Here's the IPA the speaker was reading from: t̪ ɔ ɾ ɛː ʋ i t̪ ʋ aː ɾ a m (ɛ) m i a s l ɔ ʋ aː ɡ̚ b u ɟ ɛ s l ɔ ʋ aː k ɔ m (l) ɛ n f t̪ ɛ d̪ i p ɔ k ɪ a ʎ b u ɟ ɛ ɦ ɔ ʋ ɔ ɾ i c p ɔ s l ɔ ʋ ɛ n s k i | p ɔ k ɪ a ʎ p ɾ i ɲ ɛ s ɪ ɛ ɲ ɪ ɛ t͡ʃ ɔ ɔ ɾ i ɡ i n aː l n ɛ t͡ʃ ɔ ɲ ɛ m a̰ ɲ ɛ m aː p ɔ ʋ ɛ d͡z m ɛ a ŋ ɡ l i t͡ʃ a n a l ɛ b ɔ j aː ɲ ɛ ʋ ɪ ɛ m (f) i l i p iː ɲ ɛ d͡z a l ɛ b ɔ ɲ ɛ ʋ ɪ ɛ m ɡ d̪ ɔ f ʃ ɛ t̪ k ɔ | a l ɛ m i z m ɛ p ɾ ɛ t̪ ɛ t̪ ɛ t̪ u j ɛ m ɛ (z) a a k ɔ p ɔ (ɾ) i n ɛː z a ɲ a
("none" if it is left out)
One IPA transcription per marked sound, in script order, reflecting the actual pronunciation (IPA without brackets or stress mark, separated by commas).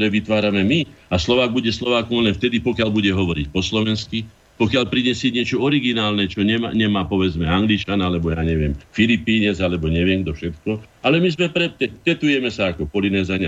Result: ɛ, l, f, s, l